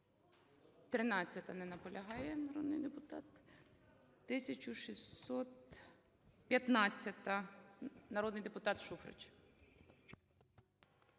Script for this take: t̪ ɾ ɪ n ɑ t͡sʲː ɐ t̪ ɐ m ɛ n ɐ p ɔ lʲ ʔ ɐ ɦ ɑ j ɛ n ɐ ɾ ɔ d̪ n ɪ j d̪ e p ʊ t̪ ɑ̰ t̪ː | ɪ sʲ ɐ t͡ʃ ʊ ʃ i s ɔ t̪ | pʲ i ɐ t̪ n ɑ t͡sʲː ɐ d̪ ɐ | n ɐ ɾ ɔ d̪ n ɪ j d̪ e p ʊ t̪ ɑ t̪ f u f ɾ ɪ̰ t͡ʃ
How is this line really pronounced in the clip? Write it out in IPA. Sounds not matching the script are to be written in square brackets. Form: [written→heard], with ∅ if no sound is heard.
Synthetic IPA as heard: t̪ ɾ ɪ n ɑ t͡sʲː ɐ t̪ ɐ [m→n] ɛ n ɐ p ɔ lʲ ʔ ɐ ɦ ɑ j ɛ n ɐ ɾ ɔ d̪ n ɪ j d̪ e p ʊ t̪ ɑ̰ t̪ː | ɪ sʲ ɐ t͡ʃ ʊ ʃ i s ɔ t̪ | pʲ [i→j] ɐ t̪ n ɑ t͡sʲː ɐ [d̪→t̪] ɐ | n ɐ ɾ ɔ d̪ n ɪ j d̪ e p ʊ t̪ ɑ t̪ [f→ʃ] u f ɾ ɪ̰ t͡ʃ

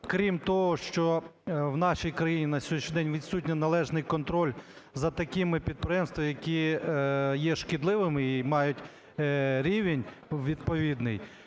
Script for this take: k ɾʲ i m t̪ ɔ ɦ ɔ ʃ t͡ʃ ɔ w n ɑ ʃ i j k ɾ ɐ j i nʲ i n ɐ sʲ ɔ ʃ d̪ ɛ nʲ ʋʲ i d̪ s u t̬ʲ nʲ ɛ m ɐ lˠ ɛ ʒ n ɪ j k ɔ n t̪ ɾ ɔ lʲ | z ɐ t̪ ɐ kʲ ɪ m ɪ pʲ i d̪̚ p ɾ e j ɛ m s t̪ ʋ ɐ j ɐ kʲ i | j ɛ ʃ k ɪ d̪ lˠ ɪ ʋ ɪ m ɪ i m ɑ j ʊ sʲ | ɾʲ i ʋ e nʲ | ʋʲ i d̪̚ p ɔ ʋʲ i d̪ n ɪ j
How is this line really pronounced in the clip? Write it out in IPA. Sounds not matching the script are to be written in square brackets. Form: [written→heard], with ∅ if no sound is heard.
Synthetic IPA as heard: k ɾʲ i m t̪ ɔ ɦ ɔ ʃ t͡ʃ ɔ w n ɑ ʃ i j k ɾ ɐ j i nʲ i n ɐ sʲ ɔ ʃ d̪ ɛ nʲ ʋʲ i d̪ s u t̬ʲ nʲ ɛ [m→n] ɐ lˠ ɛ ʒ n ɪ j k ɔ n t̪ ɾ ɔ lʲ | z ɐ t̪ ɐ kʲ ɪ m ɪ pʲ i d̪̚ p ɾ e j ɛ m s t̪ ʋ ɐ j ɐ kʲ i | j ɛ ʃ k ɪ d̪ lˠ ɪ ʋ ɪ m ɪ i m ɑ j ʊ [sʲ→tʲ] | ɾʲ i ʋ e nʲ | ʋʲ i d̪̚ p ɔ ʋʲ i d̪ n ɪ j

